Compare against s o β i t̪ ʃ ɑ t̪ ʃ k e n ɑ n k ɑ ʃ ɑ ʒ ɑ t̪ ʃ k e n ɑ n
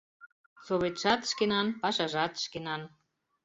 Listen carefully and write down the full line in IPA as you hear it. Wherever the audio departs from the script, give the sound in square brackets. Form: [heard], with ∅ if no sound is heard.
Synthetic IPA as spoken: s o β [e] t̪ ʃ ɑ t̪ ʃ k e n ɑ n [p] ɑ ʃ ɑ ʒ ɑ t̪ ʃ k e n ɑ n